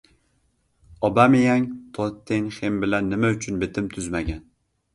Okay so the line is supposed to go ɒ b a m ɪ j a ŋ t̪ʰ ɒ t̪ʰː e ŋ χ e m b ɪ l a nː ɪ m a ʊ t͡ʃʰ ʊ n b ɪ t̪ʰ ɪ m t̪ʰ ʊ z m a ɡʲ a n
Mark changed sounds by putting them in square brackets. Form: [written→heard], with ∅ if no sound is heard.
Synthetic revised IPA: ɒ b a m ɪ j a ŋ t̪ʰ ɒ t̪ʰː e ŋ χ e m b ɪ l a nː ɪ m a ʊ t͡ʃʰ ʊ n b ɪ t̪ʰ ɪ m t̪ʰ ʊ z m a ɡʲ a n